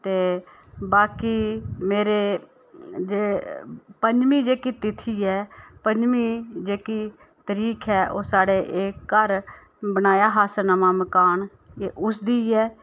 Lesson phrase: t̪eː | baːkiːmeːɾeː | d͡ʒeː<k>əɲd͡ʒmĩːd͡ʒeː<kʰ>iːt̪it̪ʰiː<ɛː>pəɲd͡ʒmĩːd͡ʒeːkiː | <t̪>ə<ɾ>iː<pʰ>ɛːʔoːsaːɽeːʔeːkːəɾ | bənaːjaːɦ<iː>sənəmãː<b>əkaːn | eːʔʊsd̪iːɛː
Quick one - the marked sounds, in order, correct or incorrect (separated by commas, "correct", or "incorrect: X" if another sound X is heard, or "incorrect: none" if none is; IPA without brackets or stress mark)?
incorrect: p, incorrect: k, correct, correct, correct, incorrect: kʰ, incorrect: aː, incorrect: m